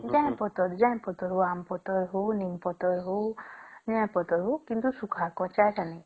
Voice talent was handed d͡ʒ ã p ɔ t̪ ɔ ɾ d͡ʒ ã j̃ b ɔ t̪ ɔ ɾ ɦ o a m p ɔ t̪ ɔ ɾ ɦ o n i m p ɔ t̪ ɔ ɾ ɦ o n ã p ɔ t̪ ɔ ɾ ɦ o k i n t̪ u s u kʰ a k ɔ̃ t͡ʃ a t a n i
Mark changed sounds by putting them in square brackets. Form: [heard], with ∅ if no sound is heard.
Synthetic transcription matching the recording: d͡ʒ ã p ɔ t̪ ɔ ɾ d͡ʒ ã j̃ [p] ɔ t̪ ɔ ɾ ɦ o a m p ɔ t̪ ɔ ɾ ɦ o n i m p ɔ t̪ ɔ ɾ ɦ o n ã p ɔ t̪ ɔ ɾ ɦ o k i n t̪ u s u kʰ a k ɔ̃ t͡ʃ a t a n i